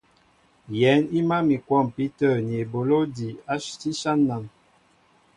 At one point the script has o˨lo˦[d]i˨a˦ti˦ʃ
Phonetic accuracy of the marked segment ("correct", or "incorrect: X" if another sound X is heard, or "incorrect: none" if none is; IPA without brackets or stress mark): correct